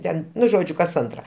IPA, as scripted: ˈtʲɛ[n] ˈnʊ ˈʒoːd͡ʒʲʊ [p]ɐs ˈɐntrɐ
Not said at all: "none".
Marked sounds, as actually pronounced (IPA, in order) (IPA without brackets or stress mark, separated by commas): n, k